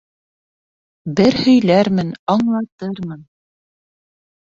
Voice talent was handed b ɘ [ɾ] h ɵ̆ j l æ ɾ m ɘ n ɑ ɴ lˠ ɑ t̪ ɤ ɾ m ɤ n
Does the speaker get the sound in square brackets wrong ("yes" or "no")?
no